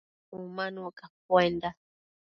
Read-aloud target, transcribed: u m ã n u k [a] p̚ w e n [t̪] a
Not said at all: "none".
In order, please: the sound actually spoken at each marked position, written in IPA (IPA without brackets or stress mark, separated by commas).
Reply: a, d̪